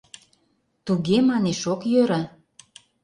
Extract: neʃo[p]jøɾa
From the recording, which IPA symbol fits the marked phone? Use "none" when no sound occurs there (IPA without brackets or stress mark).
k